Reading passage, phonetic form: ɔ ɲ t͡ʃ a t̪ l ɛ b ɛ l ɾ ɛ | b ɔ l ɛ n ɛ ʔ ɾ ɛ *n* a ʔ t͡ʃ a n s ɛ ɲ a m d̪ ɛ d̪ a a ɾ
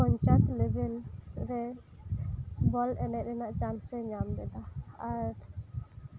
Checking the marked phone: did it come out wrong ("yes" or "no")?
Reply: no